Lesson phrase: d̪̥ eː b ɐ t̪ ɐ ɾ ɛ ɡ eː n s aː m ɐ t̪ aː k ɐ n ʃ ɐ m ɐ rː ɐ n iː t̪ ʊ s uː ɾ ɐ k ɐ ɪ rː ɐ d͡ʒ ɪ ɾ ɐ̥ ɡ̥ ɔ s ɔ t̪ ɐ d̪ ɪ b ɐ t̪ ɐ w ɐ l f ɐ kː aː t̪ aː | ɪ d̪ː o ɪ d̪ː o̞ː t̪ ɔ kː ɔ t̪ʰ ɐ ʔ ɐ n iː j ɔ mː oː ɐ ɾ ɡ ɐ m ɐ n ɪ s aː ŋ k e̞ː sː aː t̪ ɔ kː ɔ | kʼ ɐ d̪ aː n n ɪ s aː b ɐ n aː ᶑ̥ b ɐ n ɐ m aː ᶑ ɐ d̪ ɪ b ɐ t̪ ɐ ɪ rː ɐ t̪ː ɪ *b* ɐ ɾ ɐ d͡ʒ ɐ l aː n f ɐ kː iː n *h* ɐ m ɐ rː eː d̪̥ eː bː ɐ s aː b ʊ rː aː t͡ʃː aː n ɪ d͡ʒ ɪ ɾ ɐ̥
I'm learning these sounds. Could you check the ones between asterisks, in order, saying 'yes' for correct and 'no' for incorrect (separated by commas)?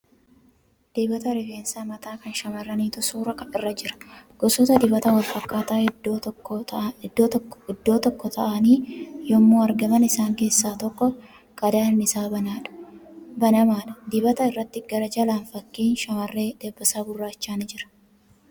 no, no